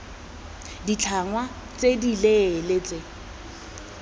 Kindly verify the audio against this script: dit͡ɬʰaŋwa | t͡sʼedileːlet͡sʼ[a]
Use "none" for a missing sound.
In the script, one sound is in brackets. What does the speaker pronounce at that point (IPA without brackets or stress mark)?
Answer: e